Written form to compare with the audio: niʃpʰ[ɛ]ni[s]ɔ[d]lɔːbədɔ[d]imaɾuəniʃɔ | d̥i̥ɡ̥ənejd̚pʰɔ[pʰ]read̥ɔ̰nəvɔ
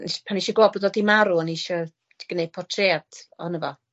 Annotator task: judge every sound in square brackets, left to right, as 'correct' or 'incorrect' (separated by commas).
incorrect, incorrect, incorrect, correct, incorrect